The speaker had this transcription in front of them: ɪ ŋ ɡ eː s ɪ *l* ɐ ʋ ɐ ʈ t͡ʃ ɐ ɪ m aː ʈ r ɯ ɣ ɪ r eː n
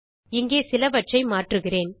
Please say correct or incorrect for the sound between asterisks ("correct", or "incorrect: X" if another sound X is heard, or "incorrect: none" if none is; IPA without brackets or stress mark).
correct